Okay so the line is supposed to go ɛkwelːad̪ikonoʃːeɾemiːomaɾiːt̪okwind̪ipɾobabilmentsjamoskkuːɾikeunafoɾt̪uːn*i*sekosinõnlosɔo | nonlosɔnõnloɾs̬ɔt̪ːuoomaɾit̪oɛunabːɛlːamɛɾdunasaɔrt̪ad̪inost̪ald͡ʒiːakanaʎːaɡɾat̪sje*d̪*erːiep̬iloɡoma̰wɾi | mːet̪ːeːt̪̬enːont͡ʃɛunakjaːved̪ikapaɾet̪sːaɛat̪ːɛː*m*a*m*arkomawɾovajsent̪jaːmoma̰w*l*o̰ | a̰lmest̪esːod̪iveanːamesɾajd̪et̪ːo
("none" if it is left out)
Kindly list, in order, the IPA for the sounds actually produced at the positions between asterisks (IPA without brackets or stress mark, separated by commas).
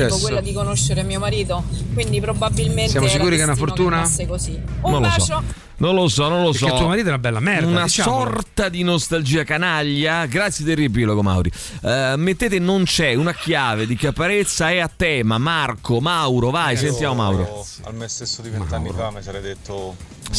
a, d̪, m, m, ɾ